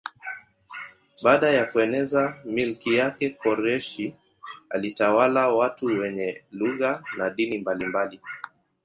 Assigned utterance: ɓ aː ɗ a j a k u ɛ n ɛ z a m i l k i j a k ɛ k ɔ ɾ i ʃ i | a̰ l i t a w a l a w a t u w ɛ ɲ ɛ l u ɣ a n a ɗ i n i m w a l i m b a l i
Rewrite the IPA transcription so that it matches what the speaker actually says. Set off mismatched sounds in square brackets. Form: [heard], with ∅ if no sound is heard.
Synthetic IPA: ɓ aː ɗ a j a k u ɛ n ɛ z a m i l k i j a k ɛ k ɔ ɾ [ɛ] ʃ i | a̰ l i t a w a l a w a t u w ɛ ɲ ɛ l u ɣ a n a ɗ i n i m [b] a l i m b a l i